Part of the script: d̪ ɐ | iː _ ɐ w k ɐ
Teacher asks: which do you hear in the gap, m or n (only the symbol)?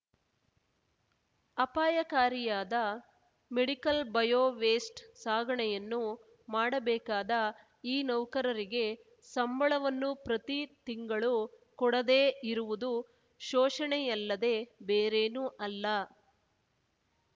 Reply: n